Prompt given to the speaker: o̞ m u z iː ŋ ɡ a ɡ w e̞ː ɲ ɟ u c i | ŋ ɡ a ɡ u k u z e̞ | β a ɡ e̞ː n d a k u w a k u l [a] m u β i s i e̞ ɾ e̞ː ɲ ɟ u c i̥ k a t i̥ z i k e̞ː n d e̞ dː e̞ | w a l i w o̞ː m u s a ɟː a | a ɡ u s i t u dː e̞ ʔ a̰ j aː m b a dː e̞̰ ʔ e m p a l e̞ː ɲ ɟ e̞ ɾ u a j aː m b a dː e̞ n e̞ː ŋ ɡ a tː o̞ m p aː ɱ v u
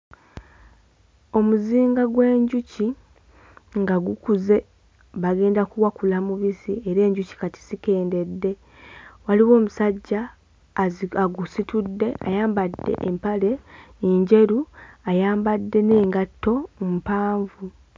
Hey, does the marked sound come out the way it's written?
yes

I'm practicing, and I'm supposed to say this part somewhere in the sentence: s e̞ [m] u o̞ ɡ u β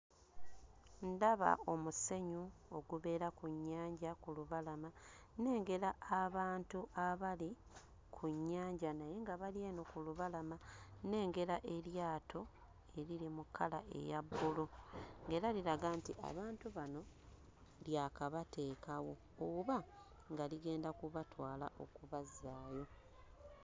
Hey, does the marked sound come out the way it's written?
no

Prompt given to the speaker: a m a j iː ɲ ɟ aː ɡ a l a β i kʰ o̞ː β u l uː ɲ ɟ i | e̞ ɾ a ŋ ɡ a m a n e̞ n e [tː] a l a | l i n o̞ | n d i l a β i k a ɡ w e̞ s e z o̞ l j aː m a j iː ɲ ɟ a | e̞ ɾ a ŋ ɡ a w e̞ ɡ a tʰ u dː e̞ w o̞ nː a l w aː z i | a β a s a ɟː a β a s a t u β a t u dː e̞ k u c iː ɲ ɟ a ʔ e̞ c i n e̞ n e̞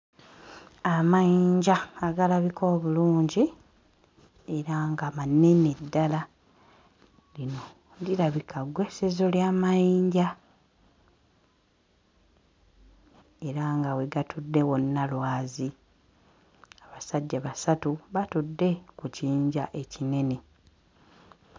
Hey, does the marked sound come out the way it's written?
no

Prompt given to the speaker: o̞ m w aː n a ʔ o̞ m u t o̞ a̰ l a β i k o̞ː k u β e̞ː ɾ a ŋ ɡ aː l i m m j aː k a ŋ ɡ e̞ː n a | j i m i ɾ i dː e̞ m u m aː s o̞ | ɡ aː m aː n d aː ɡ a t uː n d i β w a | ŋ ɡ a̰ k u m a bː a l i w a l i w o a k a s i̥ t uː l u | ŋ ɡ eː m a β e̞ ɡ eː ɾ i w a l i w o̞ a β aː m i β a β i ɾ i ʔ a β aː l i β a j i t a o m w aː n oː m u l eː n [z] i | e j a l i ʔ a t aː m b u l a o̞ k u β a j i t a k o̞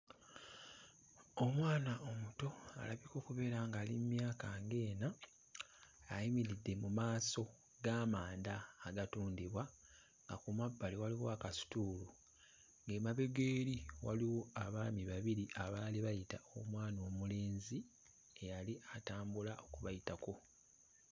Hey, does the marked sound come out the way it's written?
yes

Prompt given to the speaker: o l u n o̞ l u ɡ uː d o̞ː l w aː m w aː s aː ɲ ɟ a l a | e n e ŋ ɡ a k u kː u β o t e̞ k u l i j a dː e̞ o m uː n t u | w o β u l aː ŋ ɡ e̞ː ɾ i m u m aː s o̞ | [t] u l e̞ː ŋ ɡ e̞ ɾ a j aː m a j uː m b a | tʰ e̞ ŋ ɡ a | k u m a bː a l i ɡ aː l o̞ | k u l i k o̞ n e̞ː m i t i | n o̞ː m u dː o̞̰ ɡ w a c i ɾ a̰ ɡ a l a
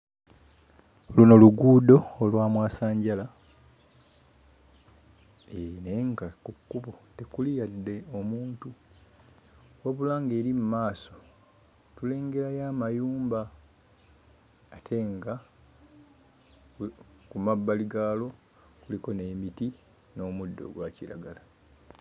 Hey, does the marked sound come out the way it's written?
yes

